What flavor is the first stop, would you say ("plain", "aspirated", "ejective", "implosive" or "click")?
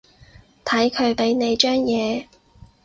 aspirated